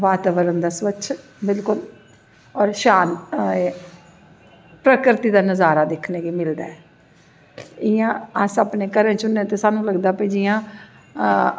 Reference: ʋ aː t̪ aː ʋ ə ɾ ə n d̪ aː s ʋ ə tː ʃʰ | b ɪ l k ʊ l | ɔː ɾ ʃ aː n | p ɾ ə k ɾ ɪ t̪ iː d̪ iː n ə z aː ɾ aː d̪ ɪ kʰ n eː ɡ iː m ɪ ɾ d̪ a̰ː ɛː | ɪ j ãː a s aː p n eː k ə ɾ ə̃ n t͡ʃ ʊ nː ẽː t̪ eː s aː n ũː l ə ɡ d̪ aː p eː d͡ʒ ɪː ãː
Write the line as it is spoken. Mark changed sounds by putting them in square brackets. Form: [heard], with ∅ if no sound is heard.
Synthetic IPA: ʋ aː t̪ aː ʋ ə ɾ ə n d̪ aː s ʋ ə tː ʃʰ | b ɪ l k ʊ l | ɔː ɾ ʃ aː n | p ɾ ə k ɾ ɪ t̪ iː d̪ [aː] n ə z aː ɾ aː d̪ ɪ kʰ n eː ɡ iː m ɪ [l] d̪ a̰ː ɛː | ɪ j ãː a s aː p n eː k ə ɾ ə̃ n t͡ʃ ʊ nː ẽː t̪ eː s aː n ũː l ə ɡ d̪ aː p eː d͡ʒ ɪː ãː

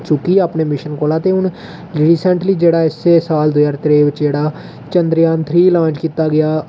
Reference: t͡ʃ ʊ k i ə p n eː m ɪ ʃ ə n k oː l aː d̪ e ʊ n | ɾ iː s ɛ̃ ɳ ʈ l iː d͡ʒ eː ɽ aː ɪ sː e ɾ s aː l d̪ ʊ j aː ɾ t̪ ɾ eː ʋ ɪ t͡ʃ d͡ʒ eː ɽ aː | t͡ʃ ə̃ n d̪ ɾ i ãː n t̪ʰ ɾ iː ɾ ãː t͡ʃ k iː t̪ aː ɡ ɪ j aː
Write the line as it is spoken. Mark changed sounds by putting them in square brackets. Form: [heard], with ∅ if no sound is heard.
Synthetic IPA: t͡ʃ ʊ k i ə p n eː m ɪ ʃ ə n k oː l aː [t̪] e ʊ n | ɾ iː s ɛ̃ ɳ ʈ l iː d͡ʒ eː ɽ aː ɪ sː e [∅] s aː l d̪ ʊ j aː ɾ t̪ ɾ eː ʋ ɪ t͡ʃ d͡ʒ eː ɽ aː | t͡ʃ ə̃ n d̪ ɾ [j] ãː n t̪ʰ ɾ iː [l] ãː t͡ʃ k iː t̪ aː ɡ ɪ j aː

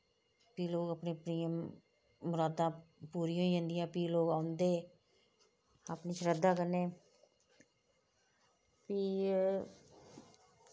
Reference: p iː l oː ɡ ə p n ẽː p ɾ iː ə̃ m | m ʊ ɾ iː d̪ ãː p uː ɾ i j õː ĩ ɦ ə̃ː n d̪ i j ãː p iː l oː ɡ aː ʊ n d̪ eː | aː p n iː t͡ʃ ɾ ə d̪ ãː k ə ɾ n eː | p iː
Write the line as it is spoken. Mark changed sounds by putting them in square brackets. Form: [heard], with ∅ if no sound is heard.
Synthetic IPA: p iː l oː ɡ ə p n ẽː p ɾ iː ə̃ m | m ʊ ɾ [aː] d̪ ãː p uː ɾ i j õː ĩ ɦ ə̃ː n d̪ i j ãː p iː l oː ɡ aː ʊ n d̪ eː | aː p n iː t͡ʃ ɾ ə d̪ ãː k ə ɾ n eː | p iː

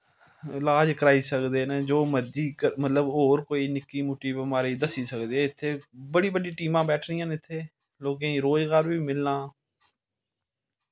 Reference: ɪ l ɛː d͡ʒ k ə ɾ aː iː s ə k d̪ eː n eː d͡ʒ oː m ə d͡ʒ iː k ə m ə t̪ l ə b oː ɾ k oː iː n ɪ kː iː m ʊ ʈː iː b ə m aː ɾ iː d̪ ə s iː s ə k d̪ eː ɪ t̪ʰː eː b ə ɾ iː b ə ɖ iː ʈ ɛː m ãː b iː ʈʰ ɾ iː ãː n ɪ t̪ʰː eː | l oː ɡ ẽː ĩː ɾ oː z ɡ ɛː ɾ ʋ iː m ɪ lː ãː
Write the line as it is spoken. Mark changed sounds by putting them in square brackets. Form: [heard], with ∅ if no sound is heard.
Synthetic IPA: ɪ l [aː] d͡ʒ k ə ɾ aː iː s ə k d̪ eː n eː d͡ʒ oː m ə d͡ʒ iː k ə m ə t̪ l ə b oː ɾ k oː iː n ɪ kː iː m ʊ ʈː iː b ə m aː ɾ iː d̪ ə s iː s ə k d̪ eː ɪ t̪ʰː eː b ə [ɽ] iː b ə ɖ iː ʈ [iː] m ãː b [ɛː] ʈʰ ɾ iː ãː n ɪ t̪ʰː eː | l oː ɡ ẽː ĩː ɾ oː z ɡ [aː] ɾ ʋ iː m ɪ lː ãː

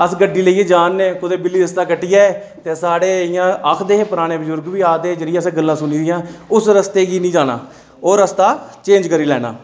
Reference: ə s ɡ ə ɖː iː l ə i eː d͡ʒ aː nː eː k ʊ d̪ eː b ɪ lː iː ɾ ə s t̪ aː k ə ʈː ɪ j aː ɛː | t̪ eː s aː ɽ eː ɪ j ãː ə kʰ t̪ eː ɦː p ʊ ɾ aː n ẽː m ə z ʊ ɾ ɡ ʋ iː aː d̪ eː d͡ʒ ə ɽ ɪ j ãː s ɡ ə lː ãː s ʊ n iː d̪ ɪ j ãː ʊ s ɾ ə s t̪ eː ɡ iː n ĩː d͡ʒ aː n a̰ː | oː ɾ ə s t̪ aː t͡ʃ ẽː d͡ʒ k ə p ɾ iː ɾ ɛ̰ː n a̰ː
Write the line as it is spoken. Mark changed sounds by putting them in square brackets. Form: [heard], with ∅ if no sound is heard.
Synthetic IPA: ə s ɡ ə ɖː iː l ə i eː d͡ʒ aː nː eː k ʊ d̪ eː b ɪ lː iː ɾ ə s t̪ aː k ə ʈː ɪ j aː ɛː | t̪ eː s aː ɽ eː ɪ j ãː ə kʰ [d̪] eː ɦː p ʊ ɾ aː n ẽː [b] ə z ʊ ɾ ɡ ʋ iː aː d̪ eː d͡ʒ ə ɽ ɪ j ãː s ɡ ə lː ãː s ʊ n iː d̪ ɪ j ãː ʊ s ɾ ə s t̪ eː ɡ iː n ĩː d͡ʒ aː n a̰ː | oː ɾ ə s t̪ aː t͡ʃ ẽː d͡ʒ k ə [∅] ɾ iː [l] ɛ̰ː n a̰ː

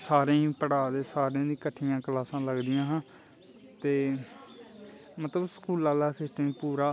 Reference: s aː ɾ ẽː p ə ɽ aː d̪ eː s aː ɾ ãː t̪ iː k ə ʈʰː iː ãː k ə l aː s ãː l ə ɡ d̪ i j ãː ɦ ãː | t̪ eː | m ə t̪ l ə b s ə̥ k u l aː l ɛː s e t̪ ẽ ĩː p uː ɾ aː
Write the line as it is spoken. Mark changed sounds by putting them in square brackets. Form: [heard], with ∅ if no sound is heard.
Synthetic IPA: s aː ɾ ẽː p ə ɽ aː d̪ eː s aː ɾ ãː [d̪] iː k ə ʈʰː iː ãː k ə l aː s ãː l ə ɡ d̪ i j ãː ɦ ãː | t̪ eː | m ə t̪ l ə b s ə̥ k [uː] l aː l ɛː s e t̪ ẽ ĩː p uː ɾ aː

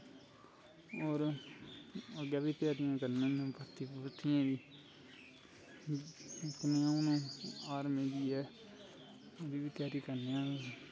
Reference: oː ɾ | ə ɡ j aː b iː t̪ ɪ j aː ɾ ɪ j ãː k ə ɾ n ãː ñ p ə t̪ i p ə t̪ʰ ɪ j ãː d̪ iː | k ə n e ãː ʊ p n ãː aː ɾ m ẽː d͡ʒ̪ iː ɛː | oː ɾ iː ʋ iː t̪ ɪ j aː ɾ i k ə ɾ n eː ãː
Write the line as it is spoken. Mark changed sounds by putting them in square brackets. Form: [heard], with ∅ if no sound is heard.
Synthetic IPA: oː ɾ | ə ɡ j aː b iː t̪ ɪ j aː ɾ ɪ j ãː k ə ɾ n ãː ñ p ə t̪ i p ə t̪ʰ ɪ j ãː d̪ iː | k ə n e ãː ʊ [∅] n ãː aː ɾ m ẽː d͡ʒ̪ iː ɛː | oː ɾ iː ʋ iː t̪ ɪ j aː ɾ i k ə ɾ n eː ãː

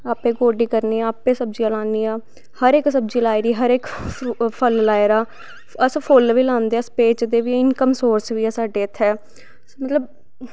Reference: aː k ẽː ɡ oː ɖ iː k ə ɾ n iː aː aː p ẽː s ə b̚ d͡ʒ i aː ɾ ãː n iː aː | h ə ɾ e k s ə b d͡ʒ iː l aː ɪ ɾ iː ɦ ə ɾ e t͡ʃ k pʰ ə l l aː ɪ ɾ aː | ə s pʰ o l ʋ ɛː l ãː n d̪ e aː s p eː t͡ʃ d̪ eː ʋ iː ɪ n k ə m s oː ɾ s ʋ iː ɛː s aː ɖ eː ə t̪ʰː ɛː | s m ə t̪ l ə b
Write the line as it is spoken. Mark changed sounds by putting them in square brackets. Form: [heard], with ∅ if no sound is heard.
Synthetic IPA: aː [p] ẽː ɡ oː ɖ iː k ə ɾ n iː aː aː p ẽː s ə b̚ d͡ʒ i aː [l] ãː n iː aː | h ə ɾ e k s ə b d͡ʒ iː l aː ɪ ɾ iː ɦ ə ɾ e [∅] k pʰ ə l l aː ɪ ɾ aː | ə s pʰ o l ʋ [iː] l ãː n d̪ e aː s p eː t͡ʃ d̪ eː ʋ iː ɪ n k ə m s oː ɾ s ʋ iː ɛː s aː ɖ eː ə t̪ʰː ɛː | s m ə t̪ l ə b

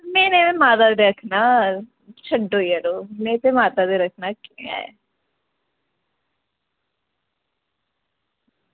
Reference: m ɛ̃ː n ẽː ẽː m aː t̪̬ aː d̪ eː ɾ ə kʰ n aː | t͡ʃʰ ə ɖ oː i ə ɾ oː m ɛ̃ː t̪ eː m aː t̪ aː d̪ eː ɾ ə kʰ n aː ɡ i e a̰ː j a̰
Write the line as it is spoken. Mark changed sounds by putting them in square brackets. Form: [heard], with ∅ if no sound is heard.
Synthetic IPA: m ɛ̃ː n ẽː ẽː m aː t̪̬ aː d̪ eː ɾ ə kʰ n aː | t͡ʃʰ ə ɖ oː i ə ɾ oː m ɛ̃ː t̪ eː m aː t̪ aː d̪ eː ɾ ə kʰ n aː [k] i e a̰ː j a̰

